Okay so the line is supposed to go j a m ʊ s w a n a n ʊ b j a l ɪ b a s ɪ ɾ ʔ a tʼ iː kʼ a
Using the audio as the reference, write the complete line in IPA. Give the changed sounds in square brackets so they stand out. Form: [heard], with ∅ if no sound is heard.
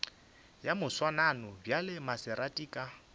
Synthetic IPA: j a m ʊ s w a n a n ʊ b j a l ɪ [m] a s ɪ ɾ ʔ a tʼ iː kʼ a